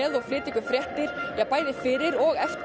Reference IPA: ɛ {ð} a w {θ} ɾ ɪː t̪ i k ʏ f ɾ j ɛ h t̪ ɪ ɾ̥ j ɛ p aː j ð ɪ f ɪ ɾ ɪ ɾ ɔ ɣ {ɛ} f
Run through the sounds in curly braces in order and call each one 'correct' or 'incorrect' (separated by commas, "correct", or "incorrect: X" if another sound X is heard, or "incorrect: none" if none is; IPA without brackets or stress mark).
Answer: correct, incorrect: f, correct